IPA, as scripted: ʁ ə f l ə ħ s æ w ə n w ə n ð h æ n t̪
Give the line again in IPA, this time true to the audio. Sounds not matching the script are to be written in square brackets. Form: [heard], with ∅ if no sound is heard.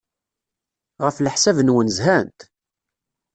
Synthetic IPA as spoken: ʁ ə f l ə ħ s æ [v] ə n w ə n [z] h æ n t̪

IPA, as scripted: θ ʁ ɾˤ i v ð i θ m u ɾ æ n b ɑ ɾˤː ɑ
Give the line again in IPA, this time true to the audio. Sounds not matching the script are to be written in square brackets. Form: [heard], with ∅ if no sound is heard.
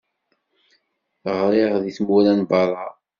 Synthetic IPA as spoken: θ ʁ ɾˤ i [ʁ] ð i θ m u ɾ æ n b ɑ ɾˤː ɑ

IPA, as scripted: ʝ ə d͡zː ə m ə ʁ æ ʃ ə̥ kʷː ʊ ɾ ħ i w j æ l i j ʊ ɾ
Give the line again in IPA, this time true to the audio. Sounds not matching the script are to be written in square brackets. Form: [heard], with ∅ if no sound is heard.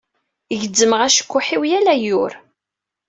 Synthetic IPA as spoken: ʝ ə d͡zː ə m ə ʁ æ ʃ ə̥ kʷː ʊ [∅] ħ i w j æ l [æ] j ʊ ɾ

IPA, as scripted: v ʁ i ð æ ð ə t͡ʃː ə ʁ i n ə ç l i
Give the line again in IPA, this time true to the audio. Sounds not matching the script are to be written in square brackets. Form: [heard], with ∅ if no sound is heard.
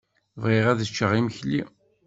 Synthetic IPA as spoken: v ʁ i [ʁ] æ ð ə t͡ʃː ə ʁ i [m] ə ç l i

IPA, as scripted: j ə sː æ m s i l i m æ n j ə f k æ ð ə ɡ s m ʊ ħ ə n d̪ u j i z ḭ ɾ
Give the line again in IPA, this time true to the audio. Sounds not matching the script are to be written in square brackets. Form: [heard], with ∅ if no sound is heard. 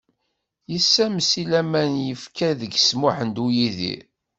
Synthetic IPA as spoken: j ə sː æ m s i l [æ] m æ n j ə f k æ ð ə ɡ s m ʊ ħ ə n d̪ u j i [ð] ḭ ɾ

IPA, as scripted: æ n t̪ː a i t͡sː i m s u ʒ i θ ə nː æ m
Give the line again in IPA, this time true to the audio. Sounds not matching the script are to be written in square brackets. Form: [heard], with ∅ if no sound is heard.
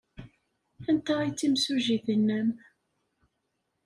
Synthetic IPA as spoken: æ n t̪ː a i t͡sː i m s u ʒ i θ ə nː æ m

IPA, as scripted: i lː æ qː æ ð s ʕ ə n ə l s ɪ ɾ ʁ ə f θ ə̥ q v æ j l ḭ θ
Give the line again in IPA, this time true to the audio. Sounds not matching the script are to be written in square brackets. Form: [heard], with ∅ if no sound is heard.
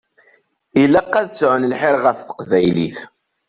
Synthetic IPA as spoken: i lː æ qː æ ð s ʕ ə n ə l [ħ] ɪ ɾ ʁ ə f θ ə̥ q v æ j l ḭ θ

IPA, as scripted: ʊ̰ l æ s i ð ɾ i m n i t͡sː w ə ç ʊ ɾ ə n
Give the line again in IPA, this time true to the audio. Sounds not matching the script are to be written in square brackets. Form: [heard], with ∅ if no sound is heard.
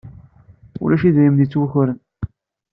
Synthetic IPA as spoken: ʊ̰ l æ [ʃ] i ð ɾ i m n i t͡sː w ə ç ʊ ɾ ə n

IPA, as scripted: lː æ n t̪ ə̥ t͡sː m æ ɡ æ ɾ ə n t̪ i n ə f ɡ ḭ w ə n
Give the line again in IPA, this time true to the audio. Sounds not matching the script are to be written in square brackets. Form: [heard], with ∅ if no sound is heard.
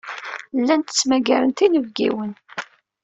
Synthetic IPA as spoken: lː æ n t̪ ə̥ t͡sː m æ ɡ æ ɾ ə n t̪ i n ə [v] ɡ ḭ w ə n

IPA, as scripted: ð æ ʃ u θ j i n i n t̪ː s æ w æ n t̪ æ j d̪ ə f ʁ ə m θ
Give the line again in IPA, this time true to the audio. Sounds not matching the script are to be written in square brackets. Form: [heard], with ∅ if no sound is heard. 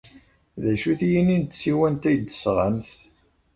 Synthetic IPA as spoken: ð æ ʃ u θ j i n i n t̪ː s [i] w æ n t̪ æ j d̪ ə [s] ʁ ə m θ

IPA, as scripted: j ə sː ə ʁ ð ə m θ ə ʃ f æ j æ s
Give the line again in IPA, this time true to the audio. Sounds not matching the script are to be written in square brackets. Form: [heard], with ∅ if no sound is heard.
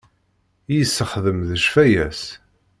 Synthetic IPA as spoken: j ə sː ə [χ] ð ə m [ð] ə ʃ f æ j æ s

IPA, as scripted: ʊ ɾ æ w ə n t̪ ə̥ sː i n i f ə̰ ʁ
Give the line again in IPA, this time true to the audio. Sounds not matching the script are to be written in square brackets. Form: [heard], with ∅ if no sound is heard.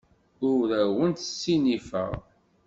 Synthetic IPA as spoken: ʊ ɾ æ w ə n t̪ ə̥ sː i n i f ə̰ ʁ

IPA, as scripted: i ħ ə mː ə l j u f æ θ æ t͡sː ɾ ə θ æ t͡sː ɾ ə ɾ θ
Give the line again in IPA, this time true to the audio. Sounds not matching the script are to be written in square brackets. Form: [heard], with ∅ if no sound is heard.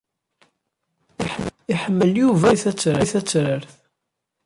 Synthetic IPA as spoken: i ħ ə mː ə l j u [v] æ θ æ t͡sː ɾ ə θ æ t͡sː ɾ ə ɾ θ

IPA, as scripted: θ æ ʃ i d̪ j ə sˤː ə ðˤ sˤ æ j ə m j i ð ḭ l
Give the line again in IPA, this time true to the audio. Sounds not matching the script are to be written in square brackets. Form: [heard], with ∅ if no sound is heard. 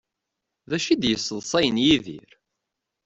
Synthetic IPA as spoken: [ð] æ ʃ i d̪ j ə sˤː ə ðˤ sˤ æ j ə [n] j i ð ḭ [ɾ]

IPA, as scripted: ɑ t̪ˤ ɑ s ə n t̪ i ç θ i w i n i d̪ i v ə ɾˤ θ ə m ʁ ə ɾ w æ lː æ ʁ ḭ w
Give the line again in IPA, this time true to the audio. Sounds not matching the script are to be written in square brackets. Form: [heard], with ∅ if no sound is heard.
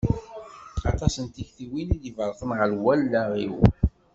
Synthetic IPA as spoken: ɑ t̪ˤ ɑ s ə n t̪ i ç θ i w i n i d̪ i v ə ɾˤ θ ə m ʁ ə [l] w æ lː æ ʁ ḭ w

